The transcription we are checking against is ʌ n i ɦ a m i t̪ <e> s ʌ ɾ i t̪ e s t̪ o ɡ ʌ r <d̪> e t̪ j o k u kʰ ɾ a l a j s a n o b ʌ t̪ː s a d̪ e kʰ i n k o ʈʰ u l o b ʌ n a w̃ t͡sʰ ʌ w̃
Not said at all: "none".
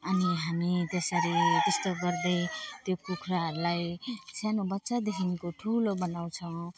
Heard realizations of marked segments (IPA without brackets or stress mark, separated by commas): e, d̪